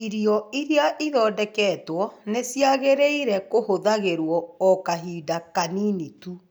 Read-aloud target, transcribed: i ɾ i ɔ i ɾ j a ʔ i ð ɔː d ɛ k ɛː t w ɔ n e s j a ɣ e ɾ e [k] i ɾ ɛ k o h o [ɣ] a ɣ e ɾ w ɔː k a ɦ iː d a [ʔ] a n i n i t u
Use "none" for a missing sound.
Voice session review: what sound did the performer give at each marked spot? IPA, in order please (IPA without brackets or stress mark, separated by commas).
none, ð, k